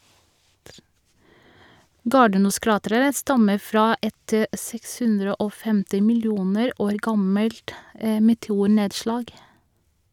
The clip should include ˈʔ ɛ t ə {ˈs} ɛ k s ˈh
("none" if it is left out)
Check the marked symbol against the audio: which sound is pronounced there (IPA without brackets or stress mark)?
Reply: s